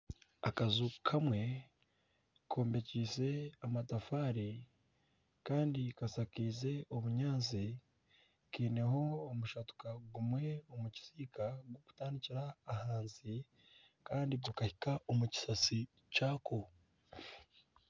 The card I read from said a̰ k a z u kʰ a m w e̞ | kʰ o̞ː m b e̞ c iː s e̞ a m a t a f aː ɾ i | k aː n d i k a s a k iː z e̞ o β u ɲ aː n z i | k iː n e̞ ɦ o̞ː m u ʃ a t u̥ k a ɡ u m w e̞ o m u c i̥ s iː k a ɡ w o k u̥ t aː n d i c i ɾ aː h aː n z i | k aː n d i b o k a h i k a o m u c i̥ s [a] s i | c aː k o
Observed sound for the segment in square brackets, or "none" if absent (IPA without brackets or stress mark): a